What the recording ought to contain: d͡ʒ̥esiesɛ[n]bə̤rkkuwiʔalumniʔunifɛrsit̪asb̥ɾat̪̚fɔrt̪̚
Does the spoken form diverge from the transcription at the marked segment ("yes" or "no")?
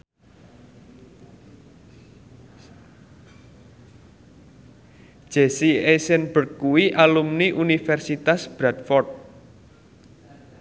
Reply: no